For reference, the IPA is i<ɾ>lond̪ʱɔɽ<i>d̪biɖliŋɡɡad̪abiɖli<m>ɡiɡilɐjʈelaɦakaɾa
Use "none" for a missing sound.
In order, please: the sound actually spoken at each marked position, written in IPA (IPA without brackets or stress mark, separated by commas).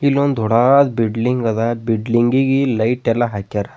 none, a, ŋ